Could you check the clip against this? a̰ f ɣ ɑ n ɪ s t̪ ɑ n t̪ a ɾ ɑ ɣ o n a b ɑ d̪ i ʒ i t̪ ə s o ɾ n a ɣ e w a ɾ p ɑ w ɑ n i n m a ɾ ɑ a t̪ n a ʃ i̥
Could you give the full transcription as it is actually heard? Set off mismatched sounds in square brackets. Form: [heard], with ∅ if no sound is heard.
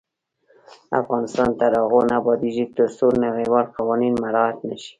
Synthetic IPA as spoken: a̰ f ɣ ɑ n ɪ s t̪ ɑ n t̪ a ɾ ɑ ɣ o n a b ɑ d̪ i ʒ i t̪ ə s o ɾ n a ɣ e w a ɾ [q] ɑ w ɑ n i n m a ɾ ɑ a t̪ n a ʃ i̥